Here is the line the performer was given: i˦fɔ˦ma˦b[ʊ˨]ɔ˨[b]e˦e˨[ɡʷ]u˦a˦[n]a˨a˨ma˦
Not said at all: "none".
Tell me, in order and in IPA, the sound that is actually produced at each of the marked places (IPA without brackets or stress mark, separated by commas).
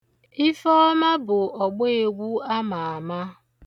ʊ˨, ɡ͡b, ɡʷ, m